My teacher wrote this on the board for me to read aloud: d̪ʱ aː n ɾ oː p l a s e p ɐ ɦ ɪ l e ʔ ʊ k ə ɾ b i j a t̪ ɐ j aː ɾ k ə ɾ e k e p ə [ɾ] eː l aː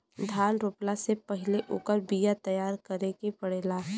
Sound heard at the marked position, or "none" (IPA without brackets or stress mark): ɽ